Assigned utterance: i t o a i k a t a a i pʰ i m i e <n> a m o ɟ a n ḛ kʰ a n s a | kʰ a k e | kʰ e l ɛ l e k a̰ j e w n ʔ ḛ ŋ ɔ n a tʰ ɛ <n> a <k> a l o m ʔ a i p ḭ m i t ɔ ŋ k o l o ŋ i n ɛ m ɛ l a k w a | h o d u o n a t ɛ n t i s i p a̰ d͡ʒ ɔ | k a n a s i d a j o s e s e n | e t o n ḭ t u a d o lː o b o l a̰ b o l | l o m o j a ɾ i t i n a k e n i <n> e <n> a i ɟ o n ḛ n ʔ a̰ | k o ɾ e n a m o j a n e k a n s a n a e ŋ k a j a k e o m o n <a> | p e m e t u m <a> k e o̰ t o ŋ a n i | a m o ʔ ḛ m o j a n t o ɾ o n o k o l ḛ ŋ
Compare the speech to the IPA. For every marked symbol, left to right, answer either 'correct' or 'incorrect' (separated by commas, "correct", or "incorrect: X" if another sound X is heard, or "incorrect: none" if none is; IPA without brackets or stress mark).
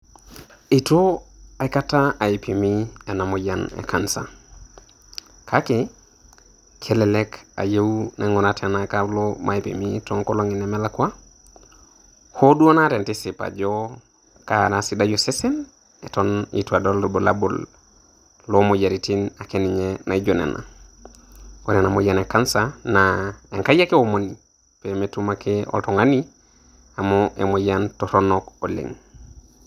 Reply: correct, correct, correct, incorrect: ɲ, correct, incorrect: i, correct